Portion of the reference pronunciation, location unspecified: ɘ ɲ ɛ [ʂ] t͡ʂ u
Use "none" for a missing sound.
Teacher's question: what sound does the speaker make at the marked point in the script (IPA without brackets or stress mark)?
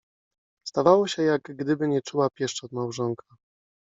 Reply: none